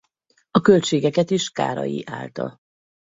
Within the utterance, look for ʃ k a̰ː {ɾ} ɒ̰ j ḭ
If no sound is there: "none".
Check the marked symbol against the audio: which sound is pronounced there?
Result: ɾ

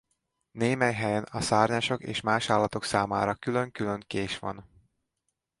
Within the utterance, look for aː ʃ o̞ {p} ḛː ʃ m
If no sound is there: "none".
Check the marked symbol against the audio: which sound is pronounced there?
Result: k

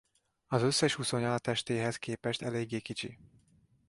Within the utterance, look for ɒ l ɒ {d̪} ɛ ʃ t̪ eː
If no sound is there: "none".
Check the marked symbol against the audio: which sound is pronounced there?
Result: t̪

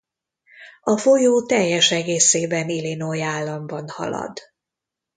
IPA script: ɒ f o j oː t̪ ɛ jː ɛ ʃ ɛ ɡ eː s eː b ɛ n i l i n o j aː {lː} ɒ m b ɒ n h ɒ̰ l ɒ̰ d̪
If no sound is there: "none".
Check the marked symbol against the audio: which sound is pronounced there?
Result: lː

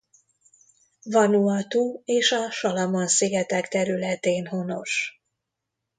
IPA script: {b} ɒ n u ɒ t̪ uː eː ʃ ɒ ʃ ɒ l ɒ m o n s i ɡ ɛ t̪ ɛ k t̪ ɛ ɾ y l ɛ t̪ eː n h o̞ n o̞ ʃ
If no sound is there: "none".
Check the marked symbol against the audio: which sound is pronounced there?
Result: v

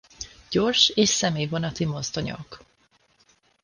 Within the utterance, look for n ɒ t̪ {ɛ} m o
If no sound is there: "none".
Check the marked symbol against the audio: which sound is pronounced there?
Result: i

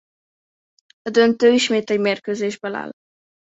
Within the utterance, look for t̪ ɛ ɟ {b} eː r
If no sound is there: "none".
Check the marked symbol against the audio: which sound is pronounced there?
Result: m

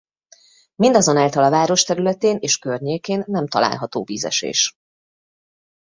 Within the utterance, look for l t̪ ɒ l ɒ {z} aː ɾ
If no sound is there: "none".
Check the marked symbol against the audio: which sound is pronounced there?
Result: v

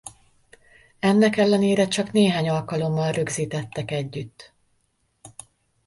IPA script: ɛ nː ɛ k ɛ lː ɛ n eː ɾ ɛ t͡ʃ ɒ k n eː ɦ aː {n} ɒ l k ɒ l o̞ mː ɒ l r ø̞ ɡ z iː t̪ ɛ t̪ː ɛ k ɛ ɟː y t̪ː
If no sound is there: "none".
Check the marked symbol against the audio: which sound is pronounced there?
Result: ɲ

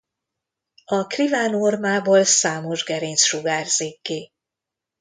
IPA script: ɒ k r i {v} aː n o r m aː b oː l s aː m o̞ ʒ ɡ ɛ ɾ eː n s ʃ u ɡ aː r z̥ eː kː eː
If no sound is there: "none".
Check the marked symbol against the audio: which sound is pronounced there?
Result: v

